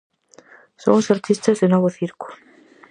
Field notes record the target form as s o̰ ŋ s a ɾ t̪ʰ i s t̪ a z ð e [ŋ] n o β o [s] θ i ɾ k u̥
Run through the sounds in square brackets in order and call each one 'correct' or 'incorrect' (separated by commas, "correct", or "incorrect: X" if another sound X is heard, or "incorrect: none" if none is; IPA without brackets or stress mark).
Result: incorrect: none, incorrect: none